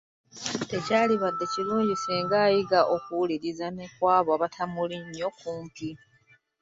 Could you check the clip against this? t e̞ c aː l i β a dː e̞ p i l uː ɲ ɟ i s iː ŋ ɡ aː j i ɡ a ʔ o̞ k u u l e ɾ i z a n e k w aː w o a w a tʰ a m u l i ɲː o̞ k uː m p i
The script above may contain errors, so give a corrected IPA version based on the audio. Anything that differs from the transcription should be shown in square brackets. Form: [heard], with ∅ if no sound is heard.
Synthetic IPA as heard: t e̞ c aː l i β a dː e̞ [c] i l uː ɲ ɟ i s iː ŋ ɡ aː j i ɡ a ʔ o̞ k u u l [i] ɾ i z a n e k w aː [β] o a [β] a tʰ a m u l i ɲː o̞ k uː m p i